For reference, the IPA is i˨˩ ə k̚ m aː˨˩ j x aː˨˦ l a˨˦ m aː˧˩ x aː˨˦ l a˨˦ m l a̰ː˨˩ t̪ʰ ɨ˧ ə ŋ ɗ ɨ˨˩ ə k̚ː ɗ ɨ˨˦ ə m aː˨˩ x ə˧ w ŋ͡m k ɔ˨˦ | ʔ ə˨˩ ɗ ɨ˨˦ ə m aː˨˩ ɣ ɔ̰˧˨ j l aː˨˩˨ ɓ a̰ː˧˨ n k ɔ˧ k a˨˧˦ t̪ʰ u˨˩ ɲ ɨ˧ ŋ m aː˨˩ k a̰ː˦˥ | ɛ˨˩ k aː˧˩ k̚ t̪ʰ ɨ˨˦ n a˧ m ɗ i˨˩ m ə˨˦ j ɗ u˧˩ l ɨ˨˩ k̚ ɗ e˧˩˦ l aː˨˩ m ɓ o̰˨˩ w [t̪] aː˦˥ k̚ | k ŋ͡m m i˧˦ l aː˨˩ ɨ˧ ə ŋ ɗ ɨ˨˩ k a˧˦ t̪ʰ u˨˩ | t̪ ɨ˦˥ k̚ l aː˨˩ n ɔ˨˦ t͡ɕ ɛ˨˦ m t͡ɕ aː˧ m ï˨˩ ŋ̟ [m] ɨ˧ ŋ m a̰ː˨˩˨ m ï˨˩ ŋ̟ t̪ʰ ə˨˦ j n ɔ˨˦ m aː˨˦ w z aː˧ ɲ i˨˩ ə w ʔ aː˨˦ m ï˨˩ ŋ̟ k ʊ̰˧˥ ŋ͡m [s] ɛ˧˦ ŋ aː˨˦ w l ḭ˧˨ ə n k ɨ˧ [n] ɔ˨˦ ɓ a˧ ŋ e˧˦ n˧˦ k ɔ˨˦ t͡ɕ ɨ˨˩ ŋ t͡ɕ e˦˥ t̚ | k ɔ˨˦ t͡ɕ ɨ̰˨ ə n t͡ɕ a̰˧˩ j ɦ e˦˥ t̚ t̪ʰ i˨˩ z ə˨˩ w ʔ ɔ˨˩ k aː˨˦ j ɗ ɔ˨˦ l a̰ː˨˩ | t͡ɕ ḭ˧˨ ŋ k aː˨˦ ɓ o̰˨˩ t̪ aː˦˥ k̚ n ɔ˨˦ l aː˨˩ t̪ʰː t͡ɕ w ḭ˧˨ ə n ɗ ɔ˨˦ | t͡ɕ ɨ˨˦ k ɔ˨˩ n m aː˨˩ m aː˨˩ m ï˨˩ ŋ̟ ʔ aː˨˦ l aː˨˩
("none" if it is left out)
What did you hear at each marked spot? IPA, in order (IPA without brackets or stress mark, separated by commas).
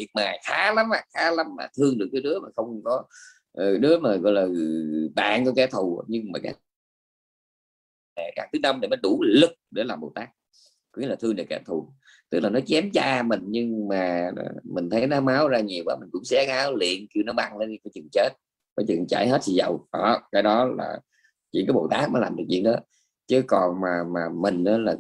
t̪, ɲ, s, n